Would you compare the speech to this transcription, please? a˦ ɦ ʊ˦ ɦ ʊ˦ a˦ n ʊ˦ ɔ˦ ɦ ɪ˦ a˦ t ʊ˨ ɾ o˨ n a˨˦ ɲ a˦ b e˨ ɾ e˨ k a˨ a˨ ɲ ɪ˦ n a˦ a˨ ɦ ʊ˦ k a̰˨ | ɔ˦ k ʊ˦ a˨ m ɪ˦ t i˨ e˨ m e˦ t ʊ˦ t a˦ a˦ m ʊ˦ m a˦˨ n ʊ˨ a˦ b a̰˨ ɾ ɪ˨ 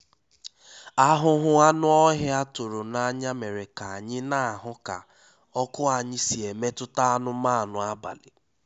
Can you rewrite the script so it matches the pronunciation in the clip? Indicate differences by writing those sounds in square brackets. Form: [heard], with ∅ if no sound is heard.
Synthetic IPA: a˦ ɦ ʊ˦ ɦ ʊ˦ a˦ n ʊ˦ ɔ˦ ɦ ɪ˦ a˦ t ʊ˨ ɾ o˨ n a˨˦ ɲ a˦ [m] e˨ ɾ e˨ k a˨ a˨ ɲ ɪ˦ n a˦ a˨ ɦ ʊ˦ k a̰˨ | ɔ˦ k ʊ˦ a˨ [ɲ] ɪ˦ [s] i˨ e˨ m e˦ t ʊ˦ t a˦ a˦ [n] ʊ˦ m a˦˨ n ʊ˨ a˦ b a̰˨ [l] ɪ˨